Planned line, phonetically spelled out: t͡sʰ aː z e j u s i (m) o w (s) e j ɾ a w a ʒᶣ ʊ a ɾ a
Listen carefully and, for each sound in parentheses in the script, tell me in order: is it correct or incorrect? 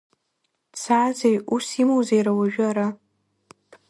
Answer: correct, incorrect: z

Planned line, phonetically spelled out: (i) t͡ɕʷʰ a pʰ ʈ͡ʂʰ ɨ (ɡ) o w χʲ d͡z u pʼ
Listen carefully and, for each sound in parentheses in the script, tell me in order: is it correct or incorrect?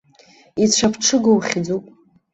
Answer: correct, correct

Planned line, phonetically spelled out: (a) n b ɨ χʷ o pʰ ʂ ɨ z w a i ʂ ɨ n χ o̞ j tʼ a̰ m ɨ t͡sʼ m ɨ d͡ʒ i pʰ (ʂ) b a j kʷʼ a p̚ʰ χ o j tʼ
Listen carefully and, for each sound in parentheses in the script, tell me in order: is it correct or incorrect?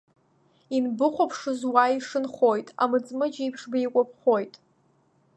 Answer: incorrect: i, correct

